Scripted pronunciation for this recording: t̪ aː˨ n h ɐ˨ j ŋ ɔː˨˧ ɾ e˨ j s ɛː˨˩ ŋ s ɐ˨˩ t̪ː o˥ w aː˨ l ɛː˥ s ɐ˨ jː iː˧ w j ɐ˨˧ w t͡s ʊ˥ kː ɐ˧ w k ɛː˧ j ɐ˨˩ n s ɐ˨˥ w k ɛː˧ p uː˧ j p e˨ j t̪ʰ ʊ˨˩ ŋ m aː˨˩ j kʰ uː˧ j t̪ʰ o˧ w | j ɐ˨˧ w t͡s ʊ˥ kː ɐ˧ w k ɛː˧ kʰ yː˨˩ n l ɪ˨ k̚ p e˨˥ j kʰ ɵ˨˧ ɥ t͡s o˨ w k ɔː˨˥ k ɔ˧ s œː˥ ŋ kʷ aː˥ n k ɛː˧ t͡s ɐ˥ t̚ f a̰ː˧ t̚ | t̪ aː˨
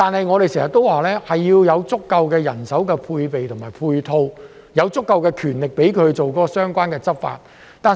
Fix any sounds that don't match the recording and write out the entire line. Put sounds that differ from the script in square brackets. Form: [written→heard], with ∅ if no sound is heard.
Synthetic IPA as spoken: t̪ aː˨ n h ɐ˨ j ŋ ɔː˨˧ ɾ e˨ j s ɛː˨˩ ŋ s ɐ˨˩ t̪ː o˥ w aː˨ l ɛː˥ [s→h] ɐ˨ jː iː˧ w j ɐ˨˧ w t͡s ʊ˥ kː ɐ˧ w k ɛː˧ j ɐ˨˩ n s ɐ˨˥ w k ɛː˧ [p→pʰ] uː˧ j p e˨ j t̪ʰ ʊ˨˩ ŋ m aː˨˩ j [kʰ→pʰ] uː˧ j t̪ʰ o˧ w | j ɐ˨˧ w t͡s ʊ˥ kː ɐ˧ w k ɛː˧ kʰ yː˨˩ n l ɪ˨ k̚ p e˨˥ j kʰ ɵ˨˧ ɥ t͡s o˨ w k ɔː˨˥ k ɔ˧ s œː˥ ŋ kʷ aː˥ n k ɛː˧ t͡s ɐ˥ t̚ f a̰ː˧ t̚ | t̪ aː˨